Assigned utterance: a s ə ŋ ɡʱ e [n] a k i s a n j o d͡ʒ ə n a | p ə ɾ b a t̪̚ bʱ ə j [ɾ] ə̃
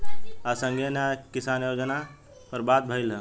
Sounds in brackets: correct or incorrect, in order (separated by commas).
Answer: correct, incorrect